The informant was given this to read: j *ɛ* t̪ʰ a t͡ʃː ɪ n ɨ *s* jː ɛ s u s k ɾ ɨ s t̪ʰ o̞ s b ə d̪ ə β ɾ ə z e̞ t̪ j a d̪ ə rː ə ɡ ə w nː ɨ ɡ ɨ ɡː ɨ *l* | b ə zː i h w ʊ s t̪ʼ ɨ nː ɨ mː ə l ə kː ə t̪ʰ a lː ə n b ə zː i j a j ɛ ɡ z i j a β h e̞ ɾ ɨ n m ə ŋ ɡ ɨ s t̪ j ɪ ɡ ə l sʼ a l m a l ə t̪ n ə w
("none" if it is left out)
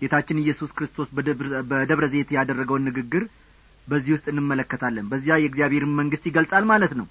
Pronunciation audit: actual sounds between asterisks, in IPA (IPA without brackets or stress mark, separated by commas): e, none, ɾ